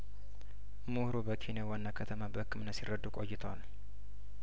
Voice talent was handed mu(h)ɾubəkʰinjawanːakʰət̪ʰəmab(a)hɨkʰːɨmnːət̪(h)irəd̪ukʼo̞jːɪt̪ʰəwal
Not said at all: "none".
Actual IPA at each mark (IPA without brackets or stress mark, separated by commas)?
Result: h, ə, s